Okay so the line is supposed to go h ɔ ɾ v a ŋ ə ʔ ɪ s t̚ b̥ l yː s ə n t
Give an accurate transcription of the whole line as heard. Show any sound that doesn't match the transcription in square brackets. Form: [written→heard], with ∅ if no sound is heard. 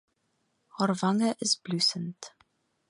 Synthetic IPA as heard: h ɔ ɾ v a ŋ ə ʔ ɪ s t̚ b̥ l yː s ə n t